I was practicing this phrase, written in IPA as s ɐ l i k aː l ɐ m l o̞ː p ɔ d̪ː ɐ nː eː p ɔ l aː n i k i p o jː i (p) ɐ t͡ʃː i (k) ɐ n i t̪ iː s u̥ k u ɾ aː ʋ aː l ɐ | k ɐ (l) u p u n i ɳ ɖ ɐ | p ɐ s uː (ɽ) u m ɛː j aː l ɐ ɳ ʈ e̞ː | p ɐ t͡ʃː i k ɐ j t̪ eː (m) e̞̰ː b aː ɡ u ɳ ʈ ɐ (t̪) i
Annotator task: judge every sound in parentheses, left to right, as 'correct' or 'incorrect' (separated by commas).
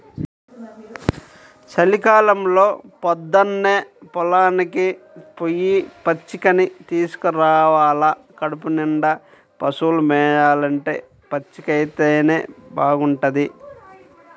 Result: correct, correct, incorrect, incorrect, incorrect, incorrect